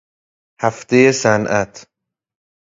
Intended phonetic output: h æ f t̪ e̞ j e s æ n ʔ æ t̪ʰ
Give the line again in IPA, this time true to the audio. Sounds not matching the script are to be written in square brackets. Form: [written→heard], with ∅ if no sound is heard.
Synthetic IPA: h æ f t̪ e̞ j e s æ n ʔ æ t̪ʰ